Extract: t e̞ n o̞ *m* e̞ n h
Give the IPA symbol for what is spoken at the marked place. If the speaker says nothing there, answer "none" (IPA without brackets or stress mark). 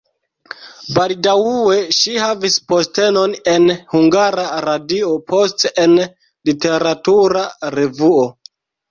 n